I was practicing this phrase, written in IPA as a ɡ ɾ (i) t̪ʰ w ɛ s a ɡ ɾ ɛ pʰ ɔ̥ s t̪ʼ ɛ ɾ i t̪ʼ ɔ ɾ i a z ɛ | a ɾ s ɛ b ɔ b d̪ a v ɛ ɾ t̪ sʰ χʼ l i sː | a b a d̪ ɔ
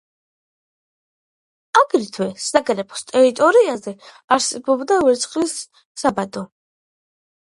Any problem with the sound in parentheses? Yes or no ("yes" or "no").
no